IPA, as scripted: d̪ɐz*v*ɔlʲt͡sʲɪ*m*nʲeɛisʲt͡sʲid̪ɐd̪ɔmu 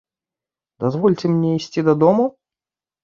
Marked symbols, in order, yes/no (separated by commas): yes, yes